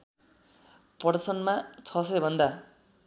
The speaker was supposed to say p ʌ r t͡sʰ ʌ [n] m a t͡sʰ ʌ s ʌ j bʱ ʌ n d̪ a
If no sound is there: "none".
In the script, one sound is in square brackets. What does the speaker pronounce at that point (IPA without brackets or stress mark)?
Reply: n